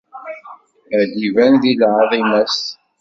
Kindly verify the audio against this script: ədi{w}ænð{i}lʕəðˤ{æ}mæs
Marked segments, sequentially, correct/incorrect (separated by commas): incorrect, correct, incorrect